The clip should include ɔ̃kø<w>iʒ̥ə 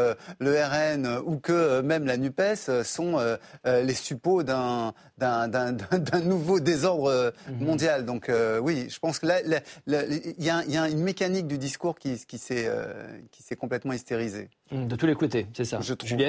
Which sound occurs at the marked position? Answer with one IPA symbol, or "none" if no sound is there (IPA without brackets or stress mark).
w